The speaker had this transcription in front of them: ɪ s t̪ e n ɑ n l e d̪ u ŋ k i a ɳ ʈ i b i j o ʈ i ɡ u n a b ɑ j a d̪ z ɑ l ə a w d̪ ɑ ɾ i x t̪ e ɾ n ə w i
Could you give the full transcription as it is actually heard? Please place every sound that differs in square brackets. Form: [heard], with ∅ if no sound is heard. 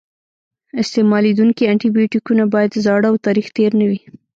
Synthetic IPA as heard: ɪ s t̪ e [m] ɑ [∅] l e d̪ u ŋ k i a ɳ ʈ i b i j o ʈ i [k] u n a b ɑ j a d̪ z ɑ [ɽ] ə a w [t̪] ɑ ɾ i x t̪ e ɾ n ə w i